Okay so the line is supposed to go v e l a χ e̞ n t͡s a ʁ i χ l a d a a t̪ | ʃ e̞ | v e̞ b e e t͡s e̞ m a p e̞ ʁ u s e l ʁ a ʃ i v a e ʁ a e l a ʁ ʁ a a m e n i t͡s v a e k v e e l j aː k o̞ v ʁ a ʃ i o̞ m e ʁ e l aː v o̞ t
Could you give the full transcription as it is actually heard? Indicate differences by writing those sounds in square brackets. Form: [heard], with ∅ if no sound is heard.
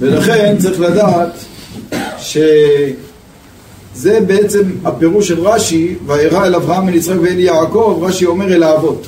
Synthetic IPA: v e l a χ e̞ n t͡s a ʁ i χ l a d a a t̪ | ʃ e̞ | [z] e̞ b e e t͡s e̞ m a p e̞ ʁ u [ʃ] e l ʁ a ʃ i v a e ʁ a e l a [v] ʁ a a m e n i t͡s [ʁ] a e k v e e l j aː k o̞ v ʁ a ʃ i o̞ m e ʁ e l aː v o̞ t